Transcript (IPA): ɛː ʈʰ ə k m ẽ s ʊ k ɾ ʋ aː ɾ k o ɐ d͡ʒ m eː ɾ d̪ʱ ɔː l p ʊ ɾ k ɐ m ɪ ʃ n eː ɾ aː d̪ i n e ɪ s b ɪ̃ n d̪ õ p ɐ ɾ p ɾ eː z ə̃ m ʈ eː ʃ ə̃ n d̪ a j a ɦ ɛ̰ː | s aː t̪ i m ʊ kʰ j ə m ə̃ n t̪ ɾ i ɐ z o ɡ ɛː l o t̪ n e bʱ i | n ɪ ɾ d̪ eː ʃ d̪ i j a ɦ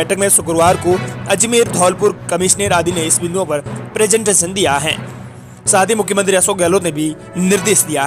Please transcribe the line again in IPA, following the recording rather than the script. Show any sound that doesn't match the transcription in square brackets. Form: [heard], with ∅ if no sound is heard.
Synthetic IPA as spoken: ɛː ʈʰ ə k m ẽ s ʊ k ɾ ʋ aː ɾ k o ɐ d͡ʒ m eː ɾ d̪ʱ ɔː l p ʊ ɾ k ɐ m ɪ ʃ n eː ɾ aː d̪ i n e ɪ s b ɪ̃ n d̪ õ p ɐ ɾ p ɾ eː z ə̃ [ɳ] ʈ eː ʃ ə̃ n d̪ [i] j a ɦ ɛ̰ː | s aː t̪ i m ʊ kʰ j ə m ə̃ n t̪ ɾ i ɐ [s] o ɡ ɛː l o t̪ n e bʱ i | n ɪ ɾ d̪ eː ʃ d̪ i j a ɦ